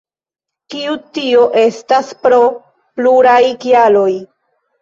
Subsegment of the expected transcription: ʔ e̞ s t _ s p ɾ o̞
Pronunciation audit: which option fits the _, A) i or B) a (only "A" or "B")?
B